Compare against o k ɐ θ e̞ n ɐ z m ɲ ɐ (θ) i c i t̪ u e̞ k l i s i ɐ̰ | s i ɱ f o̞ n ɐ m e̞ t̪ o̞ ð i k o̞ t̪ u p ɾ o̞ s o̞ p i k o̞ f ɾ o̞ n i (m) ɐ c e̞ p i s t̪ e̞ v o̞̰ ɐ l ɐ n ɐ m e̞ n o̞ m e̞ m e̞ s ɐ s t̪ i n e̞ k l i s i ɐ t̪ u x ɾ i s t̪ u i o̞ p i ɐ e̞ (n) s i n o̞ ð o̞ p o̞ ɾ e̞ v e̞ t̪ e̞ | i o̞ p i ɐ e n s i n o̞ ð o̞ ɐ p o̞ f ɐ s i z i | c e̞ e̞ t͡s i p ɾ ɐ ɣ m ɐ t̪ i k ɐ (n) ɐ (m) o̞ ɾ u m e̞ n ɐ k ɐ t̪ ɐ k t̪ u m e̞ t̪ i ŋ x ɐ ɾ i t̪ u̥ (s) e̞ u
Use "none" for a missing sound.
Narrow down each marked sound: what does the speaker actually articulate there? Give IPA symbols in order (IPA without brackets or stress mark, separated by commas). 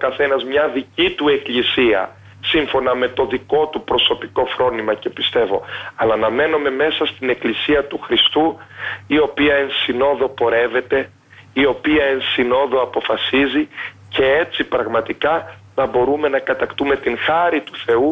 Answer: ð, m, n, n, b, θ